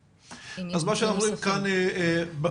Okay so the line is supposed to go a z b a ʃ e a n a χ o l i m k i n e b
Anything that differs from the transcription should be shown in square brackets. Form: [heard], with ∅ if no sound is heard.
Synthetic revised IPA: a z [m] a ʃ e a n a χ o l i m k [a] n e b